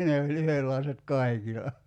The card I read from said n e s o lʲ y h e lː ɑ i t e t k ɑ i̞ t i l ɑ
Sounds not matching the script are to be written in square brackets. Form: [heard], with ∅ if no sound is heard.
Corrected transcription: n e [∅] o lʲ y h e lː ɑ i [s] e t k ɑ i̞ [k] i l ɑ